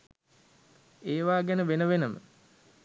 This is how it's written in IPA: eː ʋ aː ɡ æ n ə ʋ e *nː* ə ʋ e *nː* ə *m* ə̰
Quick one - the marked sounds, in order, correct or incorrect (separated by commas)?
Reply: incorrect, incorrect, correct